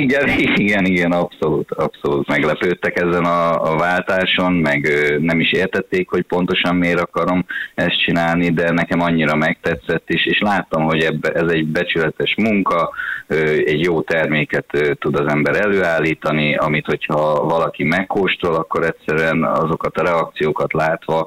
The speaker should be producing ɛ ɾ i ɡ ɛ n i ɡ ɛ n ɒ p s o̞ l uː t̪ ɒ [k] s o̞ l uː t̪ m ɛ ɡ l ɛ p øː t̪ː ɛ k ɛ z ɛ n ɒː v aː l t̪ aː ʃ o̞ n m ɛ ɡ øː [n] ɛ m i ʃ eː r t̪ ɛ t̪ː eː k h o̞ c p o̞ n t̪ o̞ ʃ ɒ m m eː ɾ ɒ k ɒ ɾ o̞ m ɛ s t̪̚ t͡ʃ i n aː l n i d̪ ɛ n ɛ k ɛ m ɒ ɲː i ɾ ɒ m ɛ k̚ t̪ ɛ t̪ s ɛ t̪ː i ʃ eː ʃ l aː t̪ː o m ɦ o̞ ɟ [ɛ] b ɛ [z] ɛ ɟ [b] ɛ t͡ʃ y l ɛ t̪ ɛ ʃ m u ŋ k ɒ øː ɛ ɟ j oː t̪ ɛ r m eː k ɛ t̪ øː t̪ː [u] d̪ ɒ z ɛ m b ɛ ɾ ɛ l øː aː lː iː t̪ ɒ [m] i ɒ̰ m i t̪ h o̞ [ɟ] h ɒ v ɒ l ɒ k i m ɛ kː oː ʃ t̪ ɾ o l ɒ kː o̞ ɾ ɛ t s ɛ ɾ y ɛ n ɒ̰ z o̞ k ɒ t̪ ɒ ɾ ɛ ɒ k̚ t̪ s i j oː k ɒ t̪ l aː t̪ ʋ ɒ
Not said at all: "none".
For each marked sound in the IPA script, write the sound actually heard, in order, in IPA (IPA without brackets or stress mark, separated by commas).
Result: p, n, ɛ, z, b, u, n, c